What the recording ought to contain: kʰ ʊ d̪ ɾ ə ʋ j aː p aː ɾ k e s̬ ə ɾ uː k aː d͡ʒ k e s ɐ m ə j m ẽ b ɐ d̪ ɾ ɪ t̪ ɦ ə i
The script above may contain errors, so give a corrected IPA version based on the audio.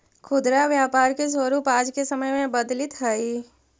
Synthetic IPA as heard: kʰ ʊ d̪ ɾ a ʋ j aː p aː ɾ k e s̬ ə ɾ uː p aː d͡ʒ k e s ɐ m ə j m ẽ b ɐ d̪ l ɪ t̪ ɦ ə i